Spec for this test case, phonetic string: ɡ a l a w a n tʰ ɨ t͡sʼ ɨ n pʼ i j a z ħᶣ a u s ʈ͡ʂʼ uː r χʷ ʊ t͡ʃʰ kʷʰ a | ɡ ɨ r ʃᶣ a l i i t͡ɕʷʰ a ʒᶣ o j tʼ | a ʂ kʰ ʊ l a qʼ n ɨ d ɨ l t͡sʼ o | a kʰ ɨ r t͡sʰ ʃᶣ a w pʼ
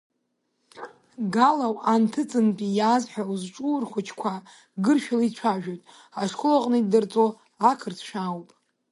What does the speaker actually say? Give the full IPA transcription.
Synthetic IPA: ɡ a l a w a n tʰ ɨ t͡sʼ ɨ n pʼ i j a z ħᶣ a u z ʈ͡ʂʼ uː r χʷ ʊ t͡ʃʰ kʷʰ a | ɡ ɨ r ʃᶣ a l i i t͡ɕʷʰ a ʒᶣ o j tʼ | a ʂ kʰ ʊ l a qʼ n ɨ d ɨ r t͡sʼ o | a kʰ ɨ r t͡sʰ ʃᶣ a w pʼ

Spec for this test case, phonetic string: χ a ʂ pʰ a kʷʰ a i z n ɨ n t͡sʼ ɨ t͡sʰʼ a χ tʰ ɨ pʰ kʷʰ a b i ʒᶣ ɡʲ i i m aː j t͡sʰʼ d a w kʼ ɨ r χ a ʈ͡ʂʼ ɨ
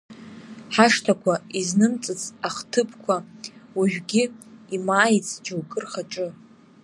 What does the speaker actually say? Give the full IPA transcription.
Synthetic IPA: ħ a ʂ tʰ a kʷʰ a i z n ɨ m t͡sʼ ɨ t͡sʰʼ a χ tʰ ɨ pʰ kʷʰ a w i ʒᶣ ɡʲ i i m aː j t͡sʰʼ d͡ʒ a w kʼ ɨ r χ a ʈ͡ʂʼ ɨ

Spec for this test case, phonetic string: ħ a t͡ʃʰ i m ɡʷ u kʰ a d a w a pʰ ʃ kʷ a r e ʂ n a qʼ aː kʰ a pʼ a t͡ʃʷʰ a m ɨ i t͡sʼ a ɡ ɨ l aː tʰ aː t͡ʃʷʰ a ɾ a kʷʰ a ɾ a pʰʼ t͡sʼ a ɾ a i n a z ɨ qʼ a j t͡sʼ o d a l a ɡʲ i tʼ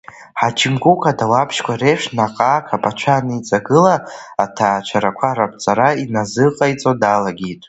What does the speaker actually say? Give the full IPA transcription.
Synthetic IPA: ħ a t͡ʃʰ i m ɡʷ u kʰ a d a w a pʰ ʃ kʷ a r e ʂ n a qʼ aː kʰ a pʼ a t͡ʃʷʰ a n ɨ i t͡sʼ a ɡ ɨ l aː tʰ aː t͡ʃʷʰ a ɾ a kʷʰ a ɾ a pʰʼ t͡sʼ a ɾ a i n a z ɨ qʼ a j t͡sʼ o d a l a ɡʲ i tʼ

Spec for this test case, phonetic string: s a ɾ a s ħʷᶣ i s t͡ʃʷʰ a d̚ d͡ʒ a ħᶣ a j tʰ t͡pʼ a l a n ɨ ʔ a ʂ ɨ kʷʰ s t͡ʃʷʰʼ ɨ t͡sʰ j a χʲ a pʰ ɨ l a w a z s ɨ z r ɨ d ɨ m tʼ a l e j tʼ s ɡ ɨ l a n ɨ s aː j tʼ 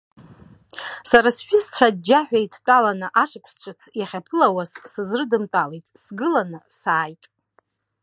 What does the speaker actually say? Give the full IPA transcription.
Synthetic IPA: s a ɾ a s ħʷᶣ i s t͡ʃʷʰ a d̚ d͡ʒ a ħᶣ a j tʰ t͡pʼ a l a n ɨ ʔ a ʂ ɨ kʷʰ s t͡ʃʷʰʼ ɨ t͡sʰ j a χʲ a pʰ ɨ l a w a z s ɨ z r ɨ d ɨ m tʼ a l e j tʼ s ɡ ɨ l a n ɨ s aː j tʼ

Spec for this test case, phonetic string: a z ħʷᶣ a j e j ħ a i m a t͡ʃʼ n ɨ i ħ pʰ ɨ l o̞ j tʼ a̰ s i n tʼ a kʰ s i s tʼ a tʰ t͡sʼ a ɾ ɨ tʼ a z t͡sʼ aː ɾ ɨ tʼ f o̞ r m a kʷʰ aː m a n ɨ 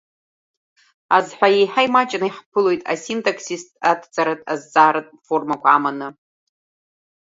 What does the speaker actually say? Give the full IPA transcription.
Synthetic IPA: a z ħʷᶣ a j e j ħ a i m a t͡ʃʼ n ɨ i ħ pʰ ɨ l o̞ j tʼ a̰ s i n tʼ a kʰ s i s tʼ a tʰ t͡sʼ a ɾ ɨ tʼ a z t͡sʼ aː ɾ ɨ tʼ f o̞ r m a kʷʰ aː m a n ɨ

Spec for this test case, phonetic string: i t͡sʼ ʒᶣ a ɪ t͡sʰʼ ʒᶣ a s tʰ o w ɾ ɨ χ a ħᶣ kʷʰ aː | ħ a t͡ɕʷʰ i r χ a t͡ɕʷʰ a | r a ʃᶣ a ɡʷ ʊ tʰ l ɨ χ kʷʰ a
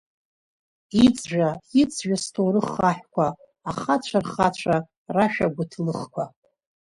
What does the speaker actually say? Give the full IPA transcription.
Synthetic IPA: i t͡sʼ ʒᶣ a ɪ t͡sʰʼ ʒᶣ a s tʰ o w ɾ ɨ χ a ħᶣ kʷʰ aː | χ a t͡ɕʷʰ a r χ a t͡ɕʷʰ a | r a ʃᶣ a ɡʷ ʊ tʰ l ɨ χ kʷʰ a

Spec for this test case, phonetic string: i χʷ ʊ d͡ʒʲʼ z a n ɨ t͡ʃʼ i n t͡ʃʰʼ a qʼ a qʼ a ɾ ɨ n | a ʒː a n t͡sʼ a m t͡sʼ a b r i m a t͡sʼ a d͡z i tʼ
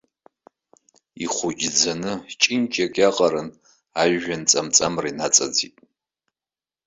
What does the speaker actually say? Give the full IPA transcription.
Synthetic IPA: i χʷ ʊ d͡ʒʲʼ d͡z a n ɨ t͡ʃʼ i n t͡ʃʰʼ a kʼ a qʼ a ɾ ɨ n | a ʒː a n t͡sʼ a m t͡sʼ a m r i n a t͡sʼ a d͡z i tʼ

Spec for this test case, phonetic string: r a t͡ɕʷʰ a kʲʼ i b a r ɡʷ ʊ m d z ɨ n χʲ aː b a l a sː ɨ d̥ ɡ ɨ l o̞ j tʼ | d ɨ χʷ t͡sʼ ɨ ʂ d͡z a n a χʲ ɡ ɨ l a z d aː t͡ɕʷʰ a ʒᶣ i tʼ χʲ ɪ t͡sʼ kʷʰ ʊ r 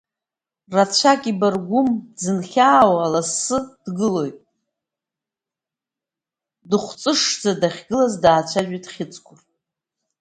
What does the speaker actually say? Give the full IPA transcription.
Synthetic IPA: r a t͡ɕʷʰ a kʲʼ i b a r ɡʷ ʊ m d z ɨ n χʲ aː w a l a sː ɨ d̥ ɡ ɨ l o̞ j tʼ | d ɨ χʷ t͡sʼ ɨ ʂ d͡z a d a χʲ ɡ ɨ l a z d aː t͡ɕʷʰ a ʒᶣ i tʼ χʲ ɪ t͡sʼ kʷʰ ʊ r

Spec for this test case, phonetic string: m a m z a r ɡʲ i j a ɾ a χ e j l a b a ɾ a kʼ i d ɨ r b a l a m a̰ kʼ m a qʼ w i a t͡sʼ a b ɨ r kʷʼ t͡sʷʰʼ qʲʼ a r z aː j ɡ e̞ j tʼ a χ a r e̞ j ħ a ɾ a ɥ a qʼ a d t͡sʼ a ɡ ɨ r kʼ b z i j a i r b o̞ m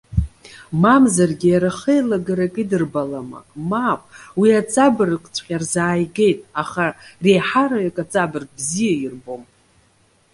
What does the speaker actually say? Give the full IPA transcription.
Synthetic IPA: m a m z a r ɡʲ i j a ɾ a χ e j l a ɡ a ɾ a kʼ i d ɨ r b a l a m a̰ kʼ m a pʼ w i a t͡sʼ a b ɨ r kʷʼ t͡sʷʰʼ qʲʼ a r z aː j ɡ e̞ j tʼ a χ a r e̞ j ħ a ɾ a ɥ a kʼ a t͡sʼ a b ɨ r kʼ b z i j a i r b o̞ m

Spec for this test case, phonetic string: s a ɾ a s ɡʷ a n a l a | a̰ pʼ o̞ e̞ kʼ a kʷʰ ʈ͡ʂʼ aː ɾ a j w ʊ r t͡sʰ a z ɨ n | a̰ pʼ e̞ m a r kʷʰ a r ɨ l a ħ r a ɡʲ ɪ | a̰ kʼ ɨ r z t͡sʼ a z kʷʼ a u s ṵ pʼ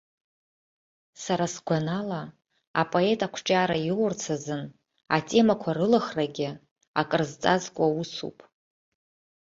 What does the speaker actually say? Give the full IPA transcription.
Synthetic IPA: s a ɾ a s ɡʷ a n a l a | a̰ pʼ o̞ e̞ tʼ a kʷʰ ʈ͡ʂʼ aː ɾ a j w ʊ r t͡sʰ a z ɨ n | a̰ tʼ e̞ m a kʷʰ a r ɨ l a χ r a ɡʲ ɪ | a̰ kʼ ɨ r z t͡sʼ a z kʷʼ a u s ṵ pʼ

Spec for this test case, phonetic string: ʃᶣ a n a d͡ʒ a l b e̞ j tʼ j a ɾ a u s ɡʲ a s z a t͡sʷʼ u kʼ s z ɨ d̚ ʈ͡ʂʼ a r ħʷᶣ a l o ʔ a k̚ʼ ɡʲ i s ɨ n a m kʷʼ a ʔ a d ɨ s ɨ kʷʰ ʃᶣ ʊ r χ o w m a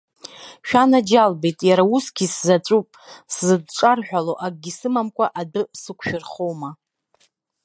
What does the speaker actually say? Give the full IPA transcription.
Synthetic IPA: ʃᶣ a n a d͡ʒ a l b e̞ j tʼ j a ɾ a u s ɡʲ i s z a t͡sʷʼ u pʼ s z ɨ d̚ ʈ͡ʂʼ a r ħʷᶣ a l o ʔ a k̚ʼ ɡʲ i s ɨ m a m kʷʼ a ʔ a d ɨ s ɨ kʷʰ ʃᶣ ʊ r χ o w m a

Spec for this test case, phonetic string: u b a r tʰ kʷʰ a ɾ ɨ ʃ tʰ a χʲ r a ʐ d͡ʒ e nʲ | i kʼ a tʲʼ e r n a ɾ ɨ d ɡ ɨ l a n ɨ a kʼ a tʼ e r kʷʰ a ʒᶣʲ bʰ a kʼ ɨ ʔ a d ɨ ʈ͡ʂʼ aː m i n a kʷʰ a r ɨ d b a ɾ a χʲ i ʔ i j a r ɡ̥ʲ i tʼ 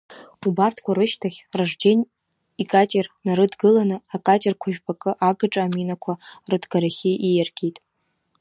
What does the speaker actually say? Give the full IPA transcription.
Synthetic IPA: u b a r tʰ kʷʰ a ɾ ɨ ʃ tʰ a χʲ r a ʐ d͡ʒ e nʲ | i kʼ a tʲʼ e r n a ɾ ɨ d ɡ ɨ l a n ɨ a kʼ a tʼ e r kʷʰ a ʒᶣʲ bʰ a kʼ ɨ ʔ a ɡ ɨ ʈ͡ʂʼ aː m i n a kʷʰ a r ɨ d ɡ a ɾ a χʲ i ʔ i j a r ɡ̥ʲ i tʼ

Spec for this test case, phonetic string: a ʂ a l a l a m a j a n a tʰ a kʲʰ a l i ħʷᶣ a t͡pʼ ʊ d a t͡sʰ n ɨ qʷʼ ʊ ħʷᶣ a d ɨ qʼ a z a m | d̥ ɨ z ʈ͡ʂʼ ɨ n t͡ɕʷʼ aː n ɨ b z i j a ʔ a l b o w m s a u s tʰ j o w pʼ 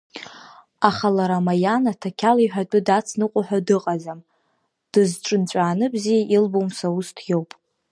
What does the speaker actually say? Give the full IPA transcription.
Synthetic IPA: a χ a l a ɾ a m a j a n a tʰ a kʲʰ a l i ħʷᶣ a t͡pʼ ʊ d a t͡sʰ n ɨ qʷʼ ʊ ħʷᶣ a d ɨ qʼ a z a m | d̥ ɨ z ʈ͡ʂʼ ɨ n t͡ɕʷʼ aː n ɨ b z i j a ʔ i l b o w m s a u s tʰ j o w pʼ

